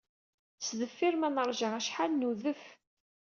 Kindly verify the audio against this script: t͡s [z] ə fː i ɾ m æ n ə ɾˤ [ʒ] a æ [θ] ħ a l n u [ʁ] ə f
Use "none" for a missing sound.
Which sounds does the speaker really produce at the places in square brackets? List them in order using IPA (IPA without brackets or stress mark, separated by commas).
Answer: ð, ʒ, ʃ, ð